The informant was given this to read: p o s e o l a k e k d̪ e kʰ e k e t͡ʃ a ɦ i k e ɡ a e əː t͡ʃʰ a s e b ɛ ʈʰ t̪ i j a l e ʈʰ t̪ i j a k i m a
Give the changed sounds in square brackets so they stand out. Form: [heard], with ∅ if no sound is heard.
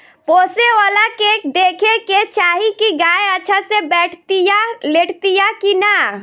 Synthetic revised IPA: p o s e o l a k e k d̪ e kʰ e k e t͡ʃ a ɦ i k [i] ɡ a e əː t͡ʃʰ a s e b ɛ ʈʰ t̪ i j a l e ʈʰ t̪ i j a k i [n] a